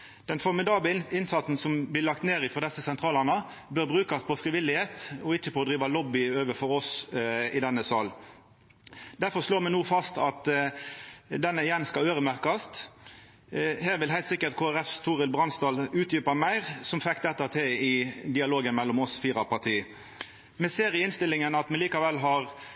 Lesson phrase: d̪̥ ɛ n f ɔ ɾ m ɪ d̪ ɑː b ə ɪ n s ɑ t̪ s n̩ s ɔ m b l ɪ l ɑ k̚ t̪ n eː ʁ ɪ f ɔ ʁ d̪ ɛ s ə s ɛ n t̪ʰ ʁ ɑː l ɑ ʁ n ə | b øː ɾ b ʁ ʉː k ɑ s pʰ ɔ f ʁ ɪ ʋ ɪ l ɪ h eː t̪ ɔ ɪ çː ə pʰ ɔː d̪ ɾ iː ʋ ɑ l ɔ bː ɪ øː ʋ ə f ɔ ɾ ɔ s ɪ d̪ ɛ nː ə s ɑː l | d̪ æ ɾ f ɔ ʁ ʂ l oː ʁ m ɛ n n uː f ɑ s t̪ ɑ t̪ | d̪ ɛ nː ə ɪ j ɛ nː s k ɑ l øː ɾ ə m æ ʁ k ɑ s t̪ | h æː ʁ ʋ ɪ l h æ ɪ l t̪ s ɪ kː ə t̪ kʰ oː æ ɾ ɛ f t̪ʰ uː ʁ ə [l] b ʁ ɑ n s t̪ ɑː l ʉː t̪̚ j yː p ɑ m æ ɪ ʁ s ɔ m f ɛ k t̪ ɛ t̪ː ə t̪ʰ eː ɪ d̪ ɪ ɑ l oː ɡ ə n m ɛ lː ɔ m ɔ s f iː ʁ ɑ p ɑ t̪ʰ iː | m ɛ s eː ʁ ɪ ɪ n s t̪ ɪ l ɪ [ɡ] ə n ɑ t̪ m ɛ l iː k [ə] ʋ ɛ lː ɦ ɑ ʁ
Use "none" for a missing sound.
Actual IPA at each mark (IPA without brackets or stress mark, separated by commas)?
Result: l, ŋ, ɑ